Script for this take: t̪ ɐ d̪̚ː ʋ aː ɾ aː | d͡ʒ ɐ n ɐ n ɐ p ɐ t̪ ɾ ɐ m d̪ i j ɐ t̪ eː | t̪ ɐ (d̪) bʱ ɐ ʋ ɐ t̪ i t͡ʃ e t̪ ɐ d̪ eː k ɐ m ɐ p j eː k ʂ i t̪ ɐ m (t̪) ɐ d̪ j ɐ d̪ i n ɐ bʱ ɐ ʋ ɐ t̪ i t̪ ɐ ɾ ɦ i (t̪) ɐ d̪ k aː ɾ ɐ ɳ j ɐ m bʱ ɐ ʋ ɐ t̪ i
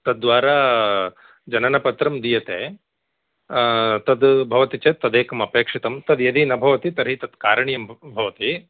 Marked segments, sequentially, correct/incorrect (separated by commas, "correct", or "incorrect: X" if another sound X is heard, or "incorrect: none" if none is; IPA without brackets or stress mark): correct, correct, correct